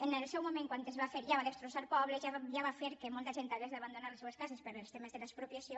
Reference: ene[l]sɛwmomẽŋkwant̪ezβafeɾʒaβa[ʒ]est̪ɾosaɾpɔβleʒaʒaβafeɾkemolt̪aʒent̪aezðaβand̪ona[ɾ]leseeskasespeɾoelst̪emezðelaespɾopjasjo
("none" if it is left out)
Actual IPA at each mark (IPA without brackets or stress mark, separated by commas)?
l, ð, ɾ